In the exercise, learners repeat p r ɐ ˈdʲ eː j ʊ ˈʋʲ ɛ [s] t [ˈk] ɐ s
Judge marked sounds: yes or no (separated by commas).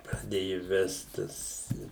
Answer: yes, no